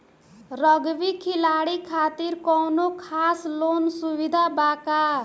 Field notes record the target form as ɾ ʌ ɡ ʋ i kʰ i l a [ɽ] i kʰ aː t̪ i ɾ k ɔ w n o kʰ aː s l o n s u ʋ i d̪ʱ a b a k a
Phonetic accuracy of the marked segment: correct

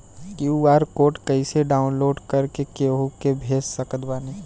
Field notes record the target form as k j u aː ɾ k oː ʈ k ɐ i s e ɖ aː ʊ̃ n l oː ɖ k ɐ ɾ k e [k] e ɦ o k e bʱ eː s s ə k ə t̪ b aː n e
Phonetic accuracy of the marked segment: correct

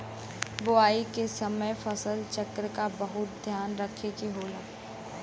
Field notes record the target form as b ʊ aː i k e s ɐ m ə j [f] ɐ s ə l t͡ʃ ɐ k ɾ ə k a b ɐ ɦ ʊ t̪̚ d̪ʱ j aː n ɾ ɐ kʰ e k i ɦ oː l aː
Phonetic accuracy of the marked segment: correct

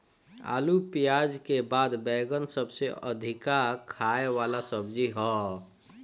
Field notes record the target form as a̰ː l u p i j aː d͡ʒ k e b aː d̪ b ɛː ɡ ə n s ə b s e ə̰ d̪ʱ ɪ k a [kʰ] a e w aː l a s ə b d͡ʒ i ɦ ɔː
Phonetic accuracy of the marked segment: correct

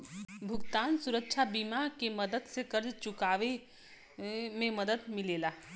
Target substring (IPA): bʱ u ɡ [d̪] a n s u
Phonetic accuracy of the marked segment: incorrect: t̪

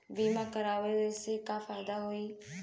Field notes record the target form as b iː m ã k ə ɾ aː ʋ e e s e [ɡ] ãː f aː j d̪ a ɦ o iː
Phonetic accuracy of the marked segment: incorrect: k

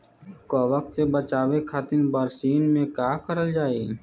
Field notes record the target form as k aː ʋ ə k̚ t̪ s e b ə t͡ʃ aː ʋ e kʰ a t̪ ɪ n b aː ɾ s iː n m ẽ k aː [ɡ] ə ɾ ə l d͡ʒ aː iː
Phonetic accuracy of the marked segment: incorrect: k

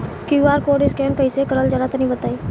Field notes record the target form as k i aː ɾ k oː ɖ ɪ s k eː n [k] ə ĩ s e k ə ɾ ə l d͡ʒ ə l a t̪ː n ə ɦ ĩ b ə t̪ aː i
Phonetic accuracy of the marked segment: correct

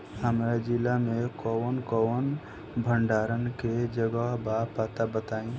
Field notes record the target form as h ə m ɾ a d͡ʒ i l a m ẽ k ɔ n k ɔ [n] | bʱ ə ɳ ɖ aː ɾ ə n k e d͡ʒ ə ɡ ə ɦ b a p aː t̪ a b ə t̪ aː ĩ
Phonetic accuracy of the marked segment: correct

